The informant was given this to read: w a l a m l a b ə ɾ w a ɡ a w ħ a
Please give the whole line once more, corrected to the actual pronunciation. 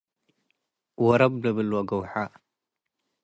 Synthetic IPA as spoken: w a ɾ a b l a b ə l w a ɡ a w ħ a

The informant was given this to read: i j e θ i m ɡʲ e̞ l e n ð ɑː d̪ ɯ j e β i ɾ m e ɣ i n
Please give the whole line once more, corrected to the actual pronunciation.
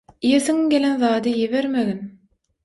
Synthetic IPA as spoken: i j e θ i ŋ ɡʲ e̞ l e n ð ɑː d̪ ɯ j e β e ɾ m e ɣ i n

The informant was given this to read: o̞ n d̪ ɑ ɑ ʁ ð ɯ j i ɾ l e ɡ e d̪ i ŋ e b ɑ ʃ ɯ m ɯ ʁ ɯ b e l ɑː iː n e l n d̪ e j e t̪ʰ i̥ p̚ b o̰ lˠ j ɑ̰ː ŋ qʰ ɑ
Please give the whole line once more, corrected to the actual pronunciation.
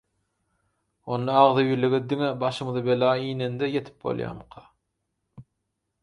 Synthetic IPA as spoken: o̞ n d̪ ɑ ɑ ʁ ð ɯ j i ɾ l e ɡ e d̪ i ŋ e b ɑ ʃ ɯ m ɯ ð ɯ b e l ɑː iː n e n d̪ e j e t̪ʰ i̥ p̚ b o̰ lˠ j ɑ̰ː m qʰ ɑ

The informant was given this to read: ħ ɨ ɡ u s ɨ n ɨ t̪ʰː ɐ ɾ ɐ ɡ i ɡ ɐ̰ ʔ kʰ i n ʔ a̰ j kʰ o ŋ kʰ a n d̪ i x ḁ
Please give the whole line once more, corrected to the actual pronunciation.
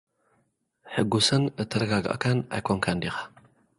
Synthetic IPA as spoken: ħ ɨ ɡ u s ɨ n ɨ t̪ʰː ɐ ɾ ɐ ɡ a ɡ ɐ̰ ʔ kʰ a n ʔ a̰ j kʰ o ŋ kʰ a n d̪ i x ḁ

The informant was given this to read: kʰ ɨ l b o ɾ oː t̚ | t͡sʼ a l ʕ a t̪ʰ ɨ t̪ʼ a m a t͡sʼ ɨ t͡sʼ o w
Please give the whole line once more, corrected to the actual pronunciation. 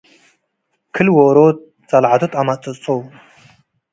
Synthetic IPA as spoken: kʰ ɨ l w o ɾ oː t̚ | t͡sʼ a l ʕ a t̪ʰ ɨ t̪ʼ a m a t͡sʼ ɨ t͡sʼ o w

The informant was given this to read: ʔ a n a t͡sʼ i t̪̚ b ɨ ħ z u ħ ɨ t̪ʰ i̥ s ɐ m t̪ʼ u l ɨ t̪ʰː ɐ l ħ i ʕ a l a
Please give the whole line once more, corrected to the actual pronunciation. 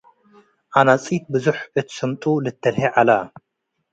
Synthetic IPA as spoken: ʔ a n a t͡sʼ i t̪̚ b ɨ z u ħ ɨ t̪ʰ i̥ s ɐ m t̪ʼ u l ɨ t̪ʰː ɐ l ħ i ʕ a l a

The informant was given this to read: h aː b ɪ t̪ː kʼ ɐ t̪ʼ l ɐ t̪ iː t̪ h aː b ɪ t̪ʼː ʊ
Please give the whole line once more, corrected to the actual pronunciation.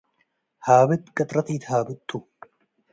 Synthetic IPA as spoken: h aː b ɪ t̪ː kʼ ɐ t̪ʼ ɾ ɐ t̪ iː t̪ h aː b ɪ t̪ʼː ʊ

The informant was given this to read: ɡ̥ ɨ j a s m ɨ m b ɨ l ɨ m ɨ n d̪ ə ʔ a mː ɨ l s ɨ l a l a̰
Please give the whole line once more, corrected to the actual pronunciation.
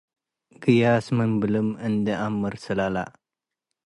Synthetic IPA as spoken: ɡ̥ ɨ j a s m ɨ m b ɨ l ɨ m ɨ n d̪ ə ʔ a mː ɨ ɾ s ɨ l a l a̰

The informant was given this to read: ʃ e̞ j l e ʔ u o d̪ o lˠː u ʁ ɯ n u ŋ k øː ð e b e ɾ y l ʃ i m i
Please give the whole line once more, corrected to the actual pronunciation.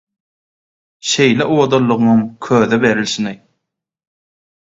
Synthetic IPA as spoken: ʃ e̞ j l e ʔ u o d̪ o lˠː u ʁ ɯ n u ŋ kʰ øː ð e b e ɾ i l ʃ i n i

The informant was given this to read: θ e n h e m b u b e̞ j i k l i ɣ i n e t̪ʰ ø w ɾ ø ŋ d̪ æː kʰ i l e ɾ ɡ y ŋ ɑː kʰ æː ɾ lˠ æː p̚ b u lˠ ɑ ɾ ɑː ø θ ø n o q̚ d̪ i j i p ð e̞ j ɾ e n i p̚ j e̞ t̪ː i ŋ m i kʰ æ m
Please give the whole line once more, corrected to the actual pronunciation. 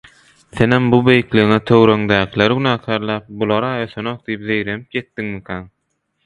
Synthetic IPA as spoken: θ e n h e m b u b e̞ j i k l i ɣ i ŋ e t̪ʰ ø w ɾ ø ŋ d̪ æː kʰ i l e ɾ ɡ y n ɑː kʰ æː ɾ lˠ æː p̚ b u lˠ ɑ ɾ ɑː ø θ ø n o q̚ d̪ i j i p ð e̞ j ɾ e n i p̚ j e̞ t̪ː i ŋ m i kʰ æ n

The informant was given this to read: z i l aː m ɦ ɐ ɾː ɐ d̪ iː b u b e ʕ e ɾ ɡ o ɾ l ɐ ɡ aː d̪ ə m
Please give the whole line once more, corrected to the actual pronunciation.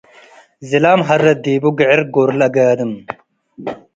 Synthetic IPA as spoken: z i l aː m ɦ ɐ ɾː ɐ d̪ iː b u ɡ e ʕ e ɾ ɡ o ɾ l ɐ ɡ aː d̪ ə m

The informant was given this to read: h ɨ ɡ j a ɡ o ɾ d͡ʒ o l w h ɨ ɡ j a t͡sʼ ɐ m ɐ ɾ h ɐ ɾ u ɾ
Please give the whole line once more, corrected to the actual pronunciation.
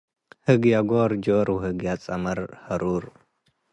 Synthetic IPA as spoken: h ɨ ɡ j a ɡ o ɾ d͡ʒ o ɾ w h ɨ ɡ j a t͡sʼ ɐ m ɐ ɾ h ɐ ɾ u ɾ

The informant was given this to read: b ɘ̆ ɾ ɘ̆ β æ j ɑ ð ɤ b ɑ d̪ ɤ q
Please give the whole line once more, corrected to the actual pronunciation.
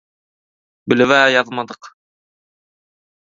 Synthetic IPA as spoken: b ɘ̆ l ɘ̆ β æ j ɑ ð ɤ m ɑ d̪ ɤ q

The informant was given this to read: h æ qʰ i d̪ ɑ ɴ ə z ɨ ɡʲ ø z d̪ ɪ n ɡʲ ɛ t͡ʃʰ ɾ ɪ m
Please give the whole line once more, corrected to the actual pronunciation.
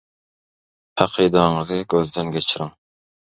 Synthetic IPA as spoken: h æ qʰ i d̪ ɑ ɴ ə z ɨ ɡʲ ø z d̪ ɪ n ɡʲ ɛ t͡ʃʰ ɾ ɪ ŋ

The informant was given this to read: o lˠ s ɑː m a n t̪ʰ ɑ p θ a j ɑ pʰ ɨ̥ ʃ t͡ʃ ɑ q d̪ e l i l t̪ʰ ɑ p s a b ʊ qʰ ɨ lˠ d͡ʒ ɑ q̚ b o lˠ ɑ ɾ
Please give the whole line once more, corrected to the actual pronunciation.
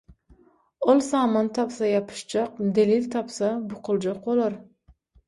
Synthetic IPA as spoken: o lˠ s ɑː m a n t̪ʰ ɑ p s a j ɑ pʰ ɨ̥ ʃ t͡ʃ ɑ q d̪ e l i l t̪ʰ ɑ p s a b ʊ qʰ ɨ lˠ d͡ʒ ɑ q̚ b o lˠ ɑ ɾ

